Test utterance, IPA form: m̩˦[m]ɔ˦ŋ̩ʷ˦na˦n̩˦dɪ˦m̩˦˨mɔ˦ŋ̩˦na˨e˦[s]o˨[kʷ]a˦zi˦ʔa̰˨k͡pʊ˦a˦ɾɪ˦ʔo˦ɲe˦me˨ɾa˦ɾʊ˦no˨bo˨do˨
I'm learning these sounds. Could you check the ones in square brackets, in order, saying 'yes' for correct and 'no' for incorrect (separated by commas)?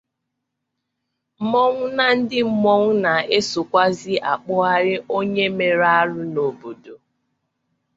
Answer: yes, yes, yes